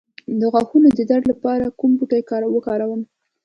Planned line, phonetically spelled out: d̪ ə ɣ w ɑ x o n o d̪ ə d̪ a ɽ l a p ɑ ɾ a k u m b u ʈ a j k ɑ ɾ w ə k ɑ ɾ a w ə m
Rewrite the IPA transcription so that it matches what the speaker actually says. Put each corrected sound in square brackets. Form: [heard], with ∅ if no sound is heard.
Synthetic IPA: d̪ ə ɣ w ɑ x [u] n o d̪ ə d̪ a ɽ l a p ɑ ɾ a k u m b u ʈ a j k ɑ ɾ w ə k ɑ ɾ a w ə m